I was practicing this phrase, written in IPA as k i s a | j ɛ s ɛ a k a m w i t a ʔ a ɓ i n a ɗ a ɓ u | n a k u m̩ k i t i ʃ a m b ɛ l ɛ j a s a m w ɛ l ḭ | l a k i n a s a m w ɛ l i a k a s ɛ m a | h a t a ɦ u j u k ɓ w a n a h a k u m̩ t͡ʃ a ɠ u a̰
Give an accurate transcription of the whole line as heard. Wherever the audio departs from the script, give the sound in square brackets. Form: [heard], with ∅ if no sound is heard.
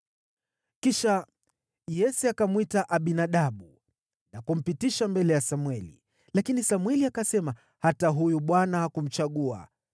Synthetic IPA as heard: k i [ʃ] a | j ɛ s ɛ a k a m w i t a ʔ a ɓ i n a ɗ a ɓ u | n a k u m̩ [p] i t i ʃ a m b ɛ l ɛ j a s a m w ɛ l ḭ | l a k i n [i] s a m w ɛ l i a k a s ɛ m a | h a t a ɦ u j u [∅] ɓ w a n a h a k u m̩ t͡ʃ a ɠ u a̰